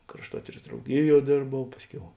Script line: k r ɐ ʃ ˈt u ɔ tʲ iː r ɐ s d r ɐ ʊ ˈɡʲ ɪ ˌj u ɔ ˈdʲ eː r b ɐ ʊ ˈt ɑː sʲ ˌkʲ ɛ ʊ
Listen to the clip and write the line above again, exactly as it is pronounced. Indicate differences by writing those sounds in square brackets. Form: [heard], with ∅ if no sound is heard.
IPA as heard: k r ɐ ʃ ˈt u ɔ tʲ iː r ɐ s d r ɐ ʊ ˈɡʲ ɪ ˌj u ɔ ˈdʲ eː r b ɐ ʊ [ˈp] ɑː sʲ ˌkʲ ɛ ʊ